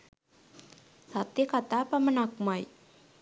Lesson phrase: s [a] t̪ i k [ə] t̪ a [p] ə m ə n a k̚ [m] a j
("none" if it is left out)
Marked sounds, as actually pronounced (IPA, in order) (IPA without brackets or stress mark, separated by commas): a, a, p, m